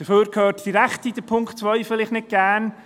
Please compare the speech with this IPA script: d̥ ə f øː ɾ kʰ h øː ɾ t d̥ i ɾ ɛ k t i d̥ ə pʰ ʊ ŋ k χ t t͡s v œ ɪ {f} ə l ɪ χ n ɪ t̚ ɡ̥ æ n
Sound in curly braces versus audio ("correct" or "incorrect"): correct